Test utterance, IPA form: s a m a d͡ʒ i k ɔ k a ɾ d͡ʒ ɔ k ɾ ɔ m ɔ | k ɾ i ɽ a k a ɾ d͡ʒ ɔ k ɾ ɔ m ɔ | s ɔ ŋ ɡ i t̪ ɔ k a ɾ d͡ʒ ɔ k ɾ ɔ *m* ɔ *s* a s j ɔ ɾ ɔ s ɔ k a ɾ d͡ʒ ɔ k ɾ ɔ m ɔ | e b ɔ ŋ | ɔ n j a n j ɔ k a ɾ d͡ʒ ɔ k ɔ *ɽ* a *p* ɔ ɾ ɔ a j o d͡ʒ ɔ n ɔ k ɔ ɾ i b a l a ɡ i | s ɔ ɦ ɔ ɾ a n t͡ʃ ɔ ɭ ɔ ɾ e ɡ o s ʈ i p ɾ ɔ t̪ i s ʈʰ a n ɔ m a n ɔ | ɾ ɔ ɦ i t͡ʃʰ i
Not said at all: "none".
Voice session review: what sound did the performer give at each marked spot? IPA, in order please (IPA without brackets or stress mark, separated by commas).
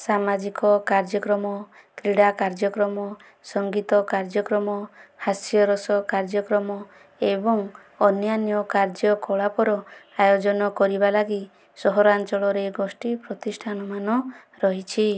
m, h, ɭ, p